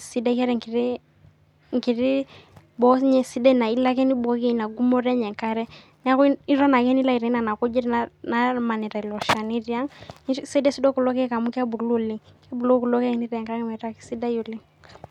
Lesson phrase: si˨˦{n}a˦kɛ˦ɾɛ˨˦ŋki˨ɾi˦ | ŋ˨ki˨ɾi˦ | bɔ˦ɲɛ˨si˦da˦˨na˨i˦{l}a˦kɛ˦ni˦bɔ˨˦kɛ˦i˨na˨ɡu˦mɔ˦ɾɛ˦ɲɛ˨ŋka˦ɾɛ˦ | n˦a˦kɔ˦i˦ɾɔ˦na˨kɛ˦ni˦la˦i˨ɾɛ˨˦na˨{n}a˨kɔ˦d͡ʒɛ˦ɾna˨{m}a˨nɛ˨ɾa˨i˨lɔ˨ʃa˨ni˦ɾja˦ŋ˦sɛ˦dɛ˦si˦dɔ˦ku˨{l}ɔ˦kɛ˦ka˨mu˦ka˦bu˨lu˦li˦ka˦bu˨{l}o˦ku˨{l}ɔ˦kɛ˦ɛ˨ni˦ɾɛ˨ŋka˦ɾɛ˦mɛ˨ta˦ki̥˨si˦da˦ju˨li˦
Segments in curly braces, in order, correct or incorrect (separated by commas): incorrect, correct, correct, correct, correct, correct, correct